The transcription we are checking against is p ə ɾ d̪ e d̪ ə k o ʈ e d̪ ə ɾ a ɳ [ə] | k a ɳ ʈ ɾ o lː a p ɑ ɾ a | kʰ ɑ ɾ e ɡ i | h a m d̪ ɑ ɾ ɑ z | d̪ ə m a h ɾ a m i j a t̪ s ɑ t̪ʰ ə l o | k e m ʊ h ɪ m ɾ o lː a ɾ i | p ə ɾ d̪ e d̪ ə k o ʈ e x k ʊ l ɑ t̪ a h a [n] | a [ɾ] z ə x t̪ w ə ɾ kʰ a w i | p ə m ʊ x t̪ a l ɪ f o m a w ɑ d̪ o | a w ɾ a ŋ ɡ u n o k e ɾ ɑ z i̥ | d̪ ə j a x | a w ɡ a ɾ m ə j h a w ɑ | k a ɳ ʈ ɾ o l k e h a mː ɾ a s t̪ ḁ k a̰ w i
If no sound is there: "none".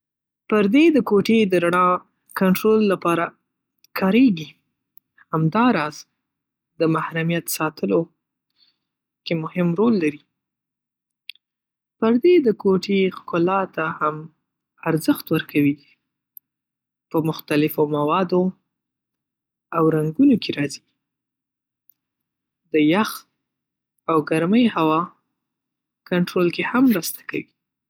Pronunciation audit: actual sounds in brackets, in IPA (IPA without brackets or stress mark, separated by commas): ɑ, m, ɾ